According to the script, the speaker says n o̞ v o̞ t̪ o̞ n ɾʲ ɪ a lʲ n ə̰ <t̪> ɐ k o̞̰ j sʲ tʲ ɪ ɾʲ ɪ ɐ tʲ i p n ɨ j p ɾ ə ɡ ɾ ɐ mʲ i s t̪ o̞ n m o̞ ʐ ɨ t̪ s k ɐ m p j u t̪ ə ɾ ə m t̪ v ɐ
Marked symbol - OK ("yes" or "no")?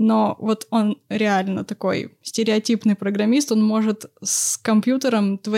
yes